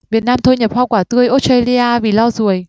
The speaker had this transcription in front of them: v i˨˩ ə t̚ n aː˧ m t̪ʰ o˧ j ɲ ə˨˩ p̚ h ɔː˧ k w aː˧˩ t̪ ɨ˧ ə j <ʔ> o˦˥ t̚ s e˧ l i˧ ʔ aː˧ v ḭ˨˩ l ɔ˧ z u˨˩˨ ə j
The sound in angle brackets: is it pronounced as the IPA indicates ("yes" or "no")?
yes